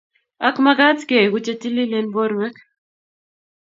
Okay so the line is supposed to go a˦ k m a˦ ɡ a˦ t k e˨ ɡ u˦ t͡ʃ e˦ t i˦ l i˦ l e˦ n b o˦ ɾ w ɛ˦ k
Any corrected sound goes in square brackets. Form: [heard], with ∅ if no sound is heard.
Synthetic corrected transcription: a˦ k m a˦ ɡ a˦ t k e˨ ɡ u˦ t͡ʃ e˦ t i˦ l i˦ l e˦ n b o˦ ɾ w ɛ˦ k